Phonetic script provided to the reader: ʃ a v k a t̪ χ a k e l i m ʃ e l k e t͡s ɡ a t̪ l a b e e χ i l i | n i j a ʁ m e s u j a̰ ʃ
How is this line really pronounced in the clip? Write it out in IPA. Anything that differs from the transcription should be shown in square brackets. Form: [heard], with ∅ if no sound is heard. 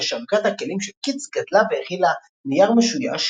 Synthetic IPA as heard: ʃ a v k a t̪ [h] a k e l i m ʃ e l k [i] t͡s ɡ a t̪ l a [v] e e χ i l [a] | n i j a ʁ m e [ʃ] u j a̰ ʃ